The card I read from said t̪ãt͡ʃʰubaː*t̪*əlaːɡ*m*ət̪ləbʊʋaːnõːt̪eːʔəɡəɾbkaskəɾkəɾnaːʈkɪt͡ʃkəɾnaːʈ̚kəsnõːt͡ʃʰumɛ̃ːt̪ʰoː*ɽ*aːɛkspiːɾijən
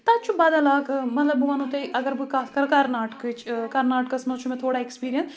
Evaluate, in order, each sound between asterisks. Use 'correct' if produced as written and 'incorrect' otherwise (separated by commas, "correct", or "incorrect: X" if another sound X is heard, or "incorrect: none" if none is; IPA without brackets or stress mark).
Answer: incorrect: d̪, correct, correct